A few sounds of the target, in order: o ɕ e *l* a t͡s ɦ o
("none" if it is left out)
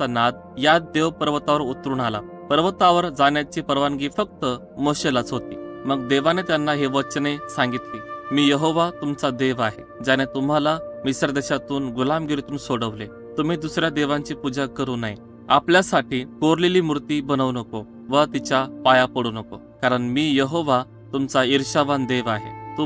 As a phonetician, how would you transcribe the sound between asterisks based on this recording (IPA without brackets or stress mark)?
l